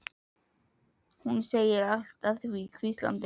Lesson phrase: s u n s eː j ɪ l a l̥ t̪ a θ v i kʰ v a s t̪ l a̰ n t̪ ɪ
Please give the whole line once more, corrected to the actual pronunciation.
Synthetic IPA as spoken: h u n s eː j ɪ ɾ a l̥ t̪ a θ v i kʰ v i s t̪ l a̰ n t̪ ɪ